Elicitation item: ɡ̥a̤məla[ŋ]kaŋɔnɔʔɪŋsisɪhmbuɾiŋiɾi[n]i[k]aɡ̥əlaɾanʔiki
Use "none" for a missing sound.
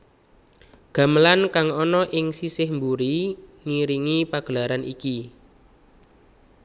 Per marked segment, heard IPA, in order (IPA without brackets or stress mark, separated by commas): n, ŋ, p